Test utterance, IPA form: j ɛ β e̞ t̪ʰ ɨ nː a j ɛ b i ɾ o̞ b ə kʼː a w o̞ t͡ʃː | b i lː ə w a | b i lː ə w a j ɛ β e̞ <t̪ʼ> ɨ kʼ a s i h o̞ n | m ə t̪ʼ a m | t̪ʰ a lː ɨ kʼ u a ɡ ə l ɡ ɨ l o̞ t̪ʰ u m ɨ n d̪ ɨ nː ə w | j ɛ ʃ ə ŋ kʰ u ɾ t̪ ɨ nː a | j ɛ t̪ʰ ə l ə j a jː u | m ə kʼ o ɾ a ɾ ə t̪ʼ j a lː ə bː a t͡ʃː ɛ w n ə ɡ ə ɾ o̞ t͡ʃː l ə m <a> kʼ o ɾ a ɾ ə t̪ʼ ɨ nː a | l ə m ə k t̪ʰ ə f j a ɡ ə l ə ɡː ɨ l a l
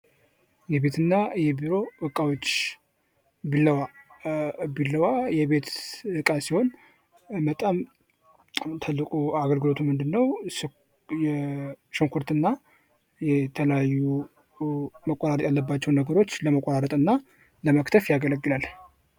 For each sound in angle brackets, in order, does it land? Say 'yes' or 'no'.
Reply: no, no

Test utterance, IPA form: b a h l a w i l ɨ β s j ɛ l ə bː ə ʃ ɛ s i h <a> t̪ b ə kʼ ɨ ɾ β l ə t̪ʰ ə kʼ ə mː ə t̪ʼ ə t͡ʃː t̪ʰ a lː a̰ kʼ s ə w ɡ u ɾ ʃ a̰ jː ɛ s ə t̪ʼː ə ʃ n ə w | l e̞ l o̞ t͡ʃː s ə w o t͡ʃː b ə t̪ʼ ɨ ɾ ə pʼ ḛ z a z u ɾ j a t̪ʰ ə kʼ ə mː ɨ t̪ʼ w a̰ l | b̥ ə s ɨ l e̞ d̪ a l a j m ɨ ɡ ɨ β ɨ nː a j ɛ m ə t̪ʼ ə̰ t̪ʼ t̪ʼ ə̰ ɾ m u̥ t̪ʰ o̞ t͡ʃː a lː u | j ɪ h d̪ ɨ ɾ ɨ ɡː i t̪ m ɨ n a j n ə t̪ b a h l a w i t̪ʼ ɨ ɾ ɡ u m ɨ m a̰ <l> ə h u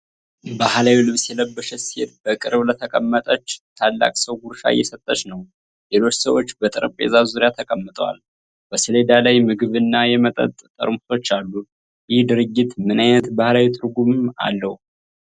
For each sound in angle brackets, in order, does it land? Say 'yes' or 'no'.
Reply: no, no

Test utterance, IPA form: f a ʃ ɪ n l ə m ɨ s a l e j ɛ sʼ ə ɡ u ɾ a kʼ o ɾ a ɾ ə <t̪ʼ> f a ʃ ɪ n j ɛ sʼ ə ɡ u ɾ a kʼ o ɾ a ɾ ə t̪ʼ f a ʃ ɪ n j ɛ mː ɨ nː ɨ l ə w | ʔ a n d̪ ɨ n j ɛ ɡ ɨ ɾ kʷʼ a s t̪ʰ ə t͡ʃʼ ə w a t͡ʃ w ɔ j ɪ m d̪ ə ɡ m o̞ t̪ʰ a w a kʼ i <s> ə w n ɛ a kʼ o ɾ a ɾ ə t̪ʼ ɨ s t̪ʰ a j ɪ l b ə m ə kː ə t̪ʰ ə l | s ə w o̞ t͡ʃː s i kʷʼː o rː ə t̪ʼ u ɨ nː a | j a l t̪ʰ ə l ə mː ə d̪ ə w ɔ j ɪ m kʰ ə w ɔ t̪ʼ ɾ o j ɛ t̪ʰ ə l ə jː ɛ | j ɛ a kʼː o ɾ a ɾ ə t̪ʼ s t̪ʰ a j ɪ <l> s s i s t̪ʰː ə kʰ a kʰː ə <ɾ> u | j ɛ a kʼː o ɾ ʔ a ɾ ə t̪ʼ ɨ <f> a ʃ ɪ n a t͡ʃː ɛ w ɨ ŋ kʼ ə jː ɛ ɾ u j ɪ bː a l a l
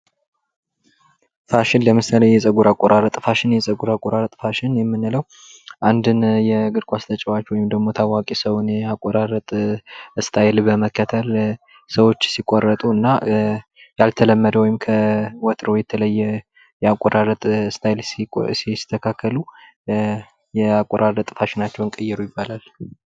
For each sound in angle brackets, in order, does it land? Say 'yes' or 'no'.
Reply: yes, yes, yes, no, yes

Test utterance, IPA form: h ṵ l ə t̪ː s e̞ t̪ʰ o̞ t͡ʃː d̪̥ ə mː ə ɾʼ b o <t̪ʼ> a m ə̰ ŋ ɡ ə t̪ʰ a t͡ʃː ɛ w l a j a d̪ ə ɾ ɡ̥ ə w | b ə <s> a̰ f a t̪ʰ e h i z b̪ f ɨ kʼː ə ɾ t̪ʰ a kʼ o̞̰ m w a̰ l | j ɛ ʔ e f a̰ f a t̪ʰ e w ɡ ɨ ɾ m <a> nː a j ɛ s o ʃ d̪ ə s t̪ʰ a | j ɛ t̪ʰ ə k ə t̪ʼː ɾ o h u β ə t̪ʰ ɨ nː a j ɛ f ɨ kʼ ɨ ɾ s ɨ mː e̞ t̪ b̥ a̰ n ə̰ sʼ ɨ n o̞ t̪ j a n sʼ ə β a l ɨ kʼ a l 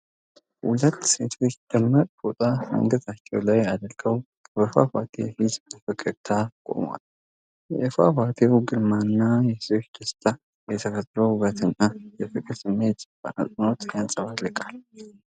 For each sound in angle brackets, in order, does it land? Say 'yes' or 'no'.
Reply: yes, no, yes

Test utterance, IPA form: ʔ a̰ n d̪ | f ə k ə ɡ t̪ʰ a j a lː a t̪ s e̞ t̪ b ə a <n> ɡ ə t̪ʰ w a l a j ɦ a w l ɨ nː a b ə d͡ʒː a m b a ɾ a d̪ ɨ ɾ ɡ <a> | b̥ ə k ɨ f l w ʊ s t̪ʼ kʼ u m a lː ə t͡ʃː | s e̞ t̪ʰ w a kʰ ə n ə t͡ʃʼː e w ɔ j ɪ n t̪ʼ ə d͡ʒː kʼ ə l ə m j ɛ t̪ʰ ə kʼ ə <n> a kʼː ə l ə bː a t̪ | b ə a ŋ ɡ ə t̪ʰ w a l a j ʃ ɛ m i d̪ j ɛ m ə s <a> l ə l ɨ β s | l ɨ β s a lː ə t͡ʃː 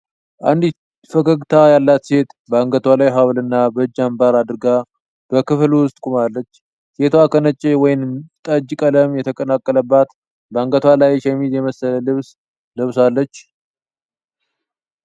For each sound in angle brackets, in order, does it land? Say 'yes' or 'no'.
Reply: no, yes, yes, no

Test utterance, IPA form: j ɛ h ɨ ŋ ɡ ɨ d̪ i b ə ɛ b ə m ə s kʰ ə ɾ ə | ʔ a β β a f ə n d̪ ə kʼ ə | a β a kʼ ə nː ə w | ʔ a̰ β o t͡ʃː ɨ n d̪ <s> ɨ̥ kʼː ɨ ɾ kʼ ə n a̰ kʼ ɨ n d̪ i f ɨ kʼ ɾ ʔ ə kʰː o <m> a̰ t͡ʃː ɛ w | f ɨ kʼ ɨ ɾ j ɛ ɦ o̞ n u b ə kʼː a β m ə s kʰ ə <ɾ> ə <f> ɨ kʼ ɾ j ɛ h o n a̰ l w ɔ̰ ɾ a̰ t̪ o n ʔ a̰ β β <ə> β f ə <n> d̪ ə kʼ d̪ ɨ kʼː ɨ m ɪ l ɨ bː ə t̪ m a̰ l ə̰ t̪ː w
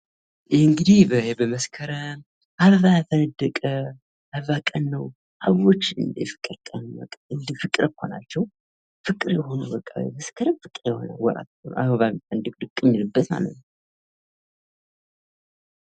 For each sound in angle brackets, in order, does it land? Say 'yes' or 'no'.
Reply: no, no, yes, yes, no, yes

